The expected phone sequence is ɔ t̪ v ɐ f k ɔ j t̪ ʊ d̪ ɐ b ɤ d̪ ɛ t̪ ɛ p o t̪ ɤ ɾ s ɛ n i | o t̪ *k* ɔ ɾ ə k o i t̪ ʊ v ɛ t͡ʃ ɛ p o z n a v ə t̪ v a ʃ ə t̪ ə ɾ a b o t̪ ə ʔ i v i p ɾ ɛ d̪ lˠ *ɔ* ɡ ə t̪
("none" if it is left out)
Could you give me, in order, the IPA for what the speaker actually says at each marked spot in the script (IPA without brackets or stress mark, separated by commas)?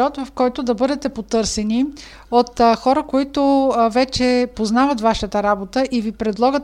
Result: x, ɔ